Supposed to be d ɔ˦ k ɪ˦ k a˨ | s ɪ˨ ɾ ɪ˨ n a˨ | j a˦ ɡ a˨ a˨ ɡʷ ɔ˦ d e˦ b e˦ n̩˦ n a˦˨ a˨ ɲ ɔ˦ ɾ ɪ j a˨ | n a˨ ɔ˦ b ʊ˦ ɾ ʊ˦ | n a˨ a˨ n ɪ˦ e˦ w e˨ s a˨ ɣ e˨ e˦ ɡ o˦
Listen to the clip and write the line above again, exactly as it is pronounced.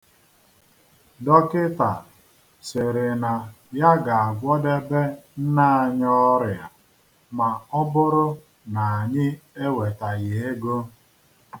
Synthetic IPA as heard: d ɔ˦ k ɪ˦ t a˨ | s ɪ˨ ɾ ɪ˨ n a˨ | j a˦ ɡ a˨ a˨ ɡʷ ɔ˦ d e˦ b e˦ n̩˦ n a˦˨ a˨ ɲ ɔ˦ ɾ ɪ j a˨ | m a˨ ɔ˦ b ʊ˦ ɾ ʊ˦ | n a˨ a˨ ɲ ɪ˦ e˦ w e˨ t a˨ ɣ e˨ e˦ ɡ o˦